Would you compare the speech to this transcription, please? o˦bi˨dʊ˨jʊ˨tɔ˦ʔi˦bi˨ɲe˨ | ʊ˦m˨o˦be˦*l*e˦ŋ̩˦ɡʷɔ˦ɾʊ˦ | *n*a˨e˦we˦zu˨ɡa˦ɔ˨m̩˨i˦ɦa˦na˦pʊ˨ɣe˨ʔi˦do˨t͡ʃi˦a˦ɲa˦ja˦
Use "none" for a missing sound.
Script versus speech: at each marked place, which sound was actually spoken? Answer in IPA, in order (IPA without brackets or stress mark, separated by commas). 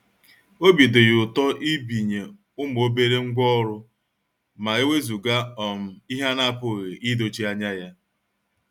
ɾ, m